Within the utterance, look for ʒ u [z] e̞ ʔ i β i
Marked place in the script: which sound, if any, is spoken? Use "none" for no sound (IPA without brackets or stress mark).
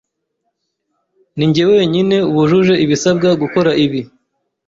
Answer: ʒ